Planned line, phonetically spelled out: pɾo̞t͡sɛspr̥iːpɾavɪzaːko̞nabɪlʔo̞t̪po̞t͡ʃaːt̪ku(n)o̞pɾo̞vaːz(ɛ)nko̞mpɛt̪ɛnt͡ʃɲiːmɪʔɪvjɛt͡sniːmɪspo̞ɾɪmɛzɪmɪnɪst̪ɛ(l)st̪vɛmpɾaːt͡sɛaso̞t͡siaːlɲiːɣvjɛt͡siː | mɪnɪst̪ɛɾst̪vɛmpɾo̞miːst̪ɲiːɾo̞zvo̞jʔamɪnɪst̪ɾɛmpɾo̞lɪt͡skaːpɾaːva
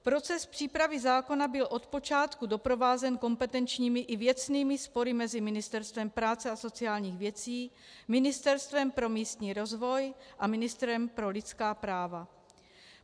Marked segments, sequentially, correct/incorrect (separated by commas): incorrect, correct, incorrect